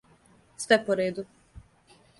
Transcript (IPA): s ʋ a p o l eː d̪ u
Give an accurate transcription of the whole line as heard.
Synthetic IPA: s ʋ ɛ p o ɾ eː d̪ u